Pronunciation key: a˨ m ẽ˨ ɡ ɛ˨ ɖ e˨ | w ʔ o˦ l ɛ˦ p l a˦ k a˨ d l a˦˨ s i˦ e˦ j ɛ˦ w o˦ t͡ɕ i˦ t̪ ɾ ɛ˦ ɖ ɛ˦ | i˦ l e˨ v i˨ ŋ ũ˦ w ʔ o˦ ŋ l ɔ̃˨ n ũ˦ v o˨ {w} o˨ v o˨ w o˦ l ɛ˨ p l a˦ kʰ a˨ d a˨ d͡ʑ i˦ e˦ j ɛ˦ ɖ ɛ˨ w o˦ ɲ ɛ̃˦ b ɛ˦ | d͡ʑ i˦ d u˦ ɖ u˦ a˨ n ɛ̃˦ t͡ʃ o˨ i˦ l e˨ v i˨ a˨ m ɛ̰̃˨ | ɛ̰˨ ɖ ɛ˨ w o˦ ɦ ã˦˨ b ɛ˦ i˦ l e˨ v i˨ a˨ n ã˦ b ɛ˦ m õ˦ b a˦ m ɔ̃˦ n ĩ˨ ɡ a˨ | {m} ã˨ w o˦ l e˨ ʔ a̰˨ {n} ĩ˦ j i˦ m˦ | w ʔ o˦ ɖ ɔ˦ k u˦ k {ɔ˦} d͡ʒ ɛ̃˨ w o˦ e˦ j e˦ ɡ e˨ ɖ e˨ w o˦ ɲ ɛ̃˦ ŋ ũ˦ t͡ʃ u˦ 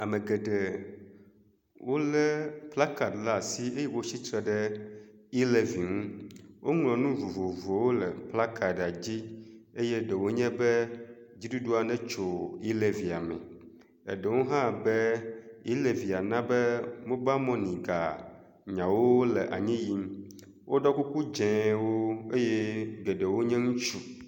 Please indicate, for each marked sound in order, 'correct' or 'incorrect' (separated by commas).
incorrect, incorrect, incorrect, incorrect